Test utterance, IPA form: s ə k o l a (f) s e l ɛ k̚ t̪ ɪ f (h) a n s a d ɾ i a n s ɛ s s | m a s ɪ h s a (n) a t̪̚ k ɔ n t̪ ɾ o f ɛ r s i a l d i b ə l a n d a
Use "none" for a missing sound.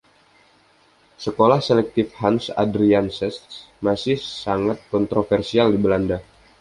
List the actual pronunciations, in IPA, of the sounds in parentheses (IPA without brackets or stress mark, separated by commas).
h, h, ŋ